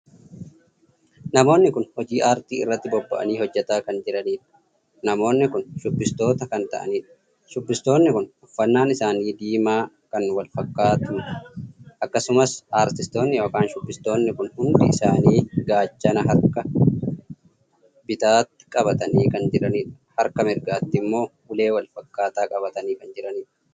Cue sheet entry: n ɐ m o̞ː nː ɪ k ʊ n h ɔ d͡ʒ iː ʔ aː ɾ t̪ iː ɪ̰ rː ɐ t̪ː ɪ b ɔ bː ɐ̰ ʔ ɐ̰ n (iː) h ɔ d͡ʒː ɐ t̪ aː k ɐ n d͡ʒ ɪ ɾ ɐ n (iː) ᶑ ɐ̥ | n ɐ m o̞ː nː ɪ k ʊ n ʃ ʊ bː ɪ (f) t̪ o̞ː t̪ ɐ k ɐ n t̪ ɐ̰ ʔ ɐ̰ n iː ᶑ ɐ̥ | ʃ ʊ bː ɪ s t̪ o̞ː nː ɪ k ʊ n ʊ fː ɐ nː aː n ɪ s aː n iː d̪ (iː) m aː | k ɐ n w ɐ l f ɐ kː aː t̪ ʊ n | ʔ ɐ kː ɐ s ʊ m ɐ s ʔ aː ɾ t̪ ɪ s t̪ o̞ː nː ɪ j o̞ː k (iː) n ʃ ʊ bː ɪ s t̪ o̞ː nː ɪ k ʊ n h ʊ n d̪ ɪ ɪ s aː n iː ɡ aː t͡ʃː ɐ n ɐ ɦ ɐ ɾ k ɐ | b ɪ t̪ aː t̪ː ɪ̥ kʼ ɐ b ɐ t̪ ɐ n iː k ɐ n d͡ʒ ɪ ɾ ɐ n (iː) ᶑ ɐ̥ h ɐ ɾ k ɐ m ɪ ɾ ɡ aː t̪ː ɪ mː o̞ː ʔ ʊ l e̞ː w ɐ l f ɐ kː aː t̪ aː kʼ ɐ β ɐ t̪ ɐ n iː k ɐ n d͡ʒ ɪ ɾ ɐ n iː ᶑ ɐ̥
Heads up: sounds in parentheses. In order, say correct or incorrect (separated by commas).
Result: correct, correct, incorrect, correct, incorrect, correct